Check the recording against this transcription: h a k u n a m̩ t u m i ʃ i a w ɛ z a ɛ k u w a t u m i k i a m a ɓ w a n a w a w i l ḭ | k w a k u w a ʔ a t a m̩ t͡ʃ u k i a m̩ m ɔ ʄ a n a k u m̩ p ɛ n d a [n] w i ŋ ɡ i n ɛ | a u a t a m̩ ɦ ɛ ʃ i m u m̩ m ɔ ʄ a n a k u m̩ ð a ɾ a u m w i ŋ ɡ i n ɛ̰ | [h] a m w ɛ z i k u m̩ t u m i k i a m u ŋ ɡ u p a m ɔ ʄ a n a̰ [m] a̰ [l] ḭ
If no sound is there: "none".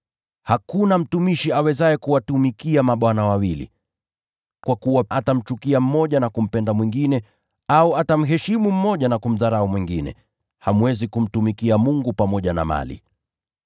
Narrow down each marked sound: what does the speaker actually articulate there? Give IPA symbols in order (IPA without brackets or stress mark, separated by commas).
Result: m, h, m, l